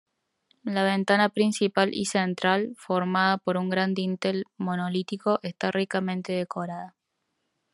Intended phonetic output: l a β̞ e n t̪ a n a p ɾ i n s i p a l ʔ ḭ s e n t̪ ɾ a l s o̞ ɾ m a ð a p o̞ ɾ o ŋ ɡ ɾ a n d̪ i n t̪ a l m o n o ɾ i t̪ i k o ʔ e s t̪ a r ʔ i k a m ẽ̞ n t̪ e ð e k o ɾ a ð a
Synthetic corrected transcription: l a β̞ e n t̪ a n a p ɾ i n s i p a l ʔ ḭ s e n t̪ ɾ a l f o̞ ɾ m a ð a p o̞ ɾ u ŋ ɡ ɾ a n d̪ i n t̪ e l m o n o l i t̪ i k o ʔ e s t̪ a r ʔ i k a m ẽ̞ n t̪ e ð e k o ɾ a ð a